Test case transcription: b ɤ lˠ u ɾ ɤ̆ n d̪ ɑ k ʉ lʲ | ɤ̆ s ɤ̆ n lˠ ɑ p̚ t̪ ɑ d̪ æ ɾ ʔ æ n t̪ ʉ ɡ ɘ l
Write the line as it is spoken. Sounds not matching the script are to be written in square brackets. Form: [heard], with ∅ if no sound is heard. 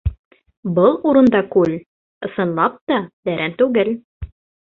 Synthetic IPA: b ɤ lˠ u ɾ ɤ̆ n d̪ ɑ k ʉ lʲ | ɤ̆ s ɤ̆ n lˠ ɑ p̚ t̪ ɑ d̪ æ ɾ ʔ æ n t̪ ʉ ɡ ɘ l